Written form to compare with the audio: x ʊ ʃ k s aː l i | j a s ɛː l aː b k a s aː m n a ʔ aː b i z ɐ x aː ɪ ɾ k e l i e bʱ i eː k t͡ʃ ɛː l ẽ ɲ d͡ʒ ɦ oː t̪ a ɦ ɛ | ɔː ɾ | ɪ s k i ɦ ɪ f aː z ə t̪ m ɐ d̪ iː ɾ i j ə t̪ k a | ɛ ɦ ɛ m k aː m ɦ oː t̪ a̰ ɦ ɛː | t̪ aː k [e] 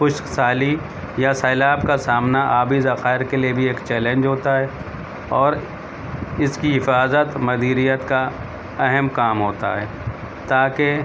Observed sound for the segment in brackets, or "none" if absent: e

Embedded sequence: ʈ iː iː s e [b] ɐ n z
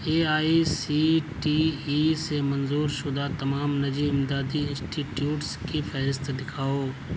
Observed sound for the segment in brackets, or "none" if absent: m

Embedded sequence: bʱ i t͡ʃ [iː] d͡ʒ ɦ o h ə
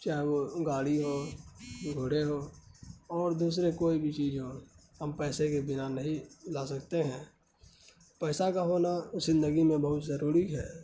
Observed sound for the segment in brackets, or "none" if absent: iː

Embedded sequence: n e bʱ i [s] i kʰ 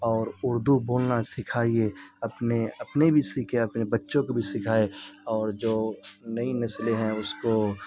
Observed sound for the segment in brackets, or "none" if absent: s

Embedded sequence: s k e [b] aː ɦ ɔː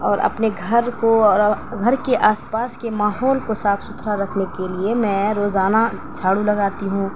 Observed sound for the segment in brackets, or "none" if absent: m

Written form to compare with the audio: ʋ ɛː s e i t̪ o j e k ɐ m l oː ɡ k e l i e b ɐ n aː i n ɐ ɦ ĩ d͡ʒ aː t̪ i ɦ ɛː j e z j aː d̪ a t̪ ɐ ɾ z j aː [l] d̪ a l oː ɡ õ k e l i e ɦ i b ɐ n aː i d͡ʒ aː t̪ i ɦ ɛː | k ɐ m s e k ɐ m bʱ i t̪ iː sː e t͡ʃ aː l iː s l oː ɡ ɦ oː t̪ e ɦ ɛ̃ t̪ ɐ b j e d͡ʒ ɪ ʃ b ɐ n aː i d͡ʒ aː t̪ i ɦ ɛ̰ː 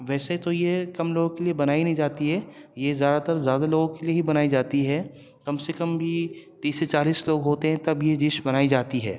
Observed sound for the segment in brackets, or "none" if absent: none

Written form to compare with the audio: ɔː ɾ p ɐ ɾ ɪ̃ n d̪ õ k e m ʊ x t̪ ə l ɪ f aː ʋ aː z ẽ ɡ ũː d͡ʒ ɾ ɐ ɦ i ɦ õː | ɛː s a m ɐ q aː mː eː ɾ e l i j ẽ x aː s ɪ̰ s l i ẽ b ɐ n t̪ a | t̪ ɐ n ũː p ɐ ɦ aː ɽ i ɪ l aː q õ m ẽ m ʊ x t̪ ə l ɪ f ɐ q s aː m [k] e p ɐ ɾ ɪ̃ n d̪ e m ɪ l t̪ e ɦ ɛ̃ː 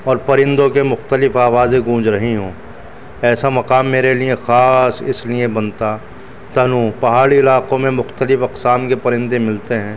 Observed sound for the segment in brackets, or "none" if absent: k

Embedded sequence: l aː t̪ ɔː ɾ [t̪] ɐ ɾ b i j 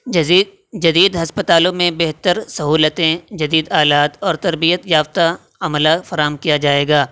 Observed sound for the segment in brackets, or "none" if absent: t̪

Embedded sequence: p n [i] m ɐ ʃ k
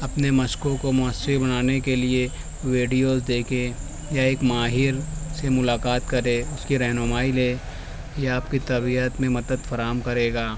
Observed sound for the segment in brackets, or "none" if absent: e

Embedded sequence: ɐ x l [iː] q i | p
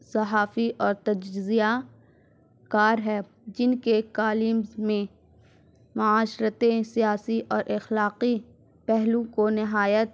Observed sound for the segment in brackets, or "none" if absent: aː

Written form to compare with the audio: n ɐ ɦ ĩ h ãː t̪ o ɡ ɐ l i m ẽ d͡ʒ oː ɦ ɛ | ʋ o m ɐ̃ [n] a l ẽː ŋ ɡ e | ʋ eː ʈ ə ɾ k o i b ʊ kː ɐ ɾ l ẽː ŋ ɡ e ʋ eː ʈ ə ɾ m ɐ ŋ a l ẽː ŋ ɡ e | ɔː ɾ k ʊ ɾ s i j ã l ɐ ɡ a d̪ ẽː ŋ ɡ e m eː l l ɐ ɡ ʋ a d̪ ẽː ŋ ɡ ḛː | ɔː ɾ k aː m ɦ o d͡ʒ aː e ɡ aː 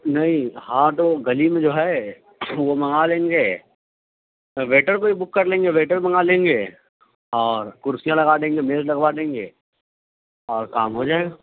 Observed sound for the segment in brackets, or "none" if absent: ŋ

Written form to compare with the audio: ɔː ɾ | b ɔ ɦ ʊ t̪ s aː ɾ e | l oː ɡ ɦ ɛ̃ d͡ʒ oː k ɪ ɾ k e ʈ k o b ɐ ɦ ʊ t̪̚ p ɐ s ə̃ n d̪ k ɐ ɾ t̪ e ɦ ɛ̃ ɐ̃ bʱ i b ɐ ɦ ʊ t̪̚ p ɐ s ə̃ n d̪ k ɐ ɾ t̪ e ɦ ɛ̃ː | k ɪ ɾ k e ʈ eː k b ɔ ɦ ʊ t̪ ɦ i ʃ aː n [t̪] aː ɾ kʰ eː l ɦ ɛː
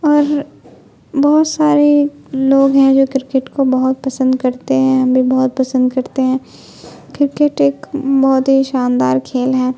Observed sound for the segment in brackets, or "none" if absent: d̪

